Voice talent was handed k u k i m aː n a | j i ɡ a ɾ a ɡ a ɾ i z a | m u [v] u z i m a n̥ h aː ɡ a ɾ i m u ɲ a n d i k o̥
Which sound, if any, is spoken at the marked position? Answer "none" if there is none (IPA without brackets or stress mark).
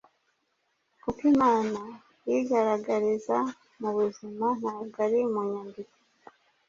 β